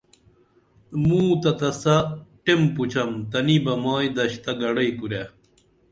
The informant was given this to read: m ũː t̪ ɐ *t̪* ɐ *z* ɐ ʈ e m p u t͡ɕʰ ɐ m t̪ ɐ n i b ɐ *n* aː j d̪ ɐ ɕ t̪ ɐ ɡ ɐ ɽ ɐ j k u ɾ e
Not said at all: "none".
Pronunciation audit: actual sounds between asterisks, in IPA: t̪, s, m

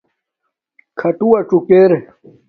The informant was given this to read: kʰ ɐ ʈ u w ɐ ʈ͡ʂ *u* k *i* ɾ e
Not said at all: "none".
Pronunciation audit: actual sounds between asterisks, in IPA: u, e

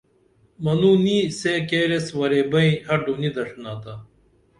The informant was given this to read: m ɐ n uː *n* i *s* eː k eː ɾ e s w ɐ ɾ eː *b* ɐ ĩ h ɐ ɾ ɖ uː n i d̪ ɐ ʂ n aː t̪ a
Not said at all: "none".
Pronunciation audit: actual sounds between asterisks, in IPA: n, s, b

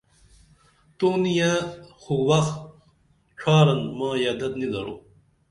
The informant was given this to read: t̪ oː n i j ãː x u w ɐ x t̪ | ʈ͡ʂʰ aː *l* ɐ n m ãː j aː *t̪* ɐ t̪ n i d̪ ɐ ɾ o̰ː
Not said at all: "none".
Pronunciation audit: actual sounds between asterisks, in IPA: ɾ, d̪

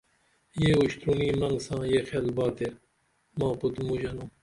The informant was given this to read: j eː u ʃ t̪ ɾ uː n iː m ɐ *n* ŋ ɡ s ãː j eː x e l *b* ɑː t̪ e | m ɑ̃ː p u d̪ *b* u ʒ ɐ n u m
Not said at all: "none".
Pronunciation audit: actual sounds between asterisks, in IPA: none, b, m

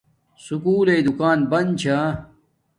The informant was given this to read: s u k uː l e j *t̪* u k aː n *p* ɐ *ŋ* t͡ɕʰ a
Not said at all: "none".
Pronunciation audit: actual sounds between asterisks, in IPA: d̪, b, n

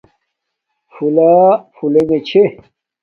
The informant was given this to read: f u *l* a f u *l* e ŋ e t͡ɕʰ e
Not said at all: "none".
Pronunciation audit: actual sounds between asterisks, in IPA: l, l

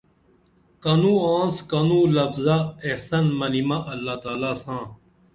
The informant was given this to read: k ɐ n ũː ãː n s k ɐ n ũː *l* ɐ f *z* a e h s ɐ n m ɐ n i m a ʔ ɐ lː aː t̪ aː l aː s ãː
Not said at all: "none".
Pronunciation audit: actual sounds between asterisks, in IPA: l, z

